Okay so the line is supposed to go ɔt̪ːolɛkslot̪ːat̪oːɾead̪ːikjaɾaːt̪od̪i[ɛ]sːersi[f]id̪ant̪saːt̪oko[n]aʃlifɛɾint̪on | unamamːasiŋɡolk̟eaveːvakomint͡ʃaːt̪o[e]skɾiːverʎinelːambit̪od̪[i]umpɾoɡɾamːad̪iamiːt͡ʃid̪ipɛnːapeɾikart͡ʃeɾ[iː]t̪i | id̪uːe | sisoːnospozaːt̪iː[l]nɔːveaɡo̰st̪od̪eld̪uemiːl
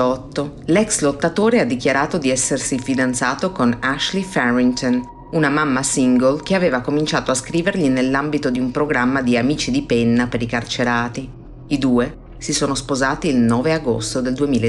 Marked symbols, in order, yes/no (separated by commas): yes, yes, yes, no, yes, no, yes